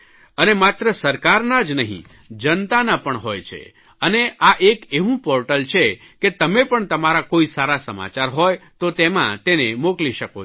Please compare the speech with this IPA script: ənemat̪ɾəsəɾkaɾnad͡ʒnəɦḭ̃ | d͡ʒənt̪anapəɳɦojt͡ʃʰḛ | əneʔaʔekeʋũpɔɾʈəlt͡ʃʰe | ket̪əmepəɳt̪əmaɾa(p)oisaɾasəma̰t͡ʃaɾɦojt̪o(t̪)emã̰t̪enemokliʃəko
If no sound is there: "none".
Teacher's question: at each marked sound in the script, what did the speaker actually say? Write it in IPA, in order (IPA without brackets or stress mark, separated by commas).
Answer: k, t̪